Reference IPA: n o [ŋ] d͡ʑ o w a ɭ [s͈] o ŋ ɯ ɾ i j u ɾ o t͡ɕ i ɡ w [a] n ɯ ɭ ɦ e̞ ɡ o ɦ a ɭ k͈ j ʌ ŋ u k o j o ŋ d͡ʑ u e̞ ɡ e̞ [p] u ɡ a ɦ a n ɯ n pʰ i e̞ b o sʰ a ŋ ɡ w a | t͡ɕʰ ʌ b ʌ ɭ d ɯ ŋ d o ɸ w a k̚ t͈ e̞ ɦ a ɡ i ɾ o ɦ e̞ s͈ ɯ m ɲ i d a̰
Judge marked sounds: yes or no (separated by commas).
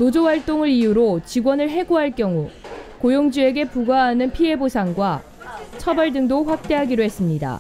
no, no, no, yes